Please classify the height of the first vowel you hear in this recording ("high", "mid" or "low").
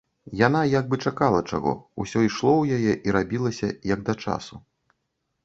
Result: low